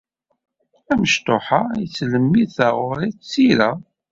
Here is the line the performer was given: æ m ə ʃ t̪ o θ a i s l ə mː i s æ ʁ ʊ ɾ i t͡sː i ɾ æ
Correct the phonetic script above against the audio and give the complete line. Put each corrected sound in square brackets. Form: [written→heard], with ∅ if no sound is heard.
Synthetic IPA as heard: æ m ə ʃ t̪ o [θ→ħ] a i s l ə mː i [s→θ] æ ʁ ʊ ɾ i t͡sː i ɾ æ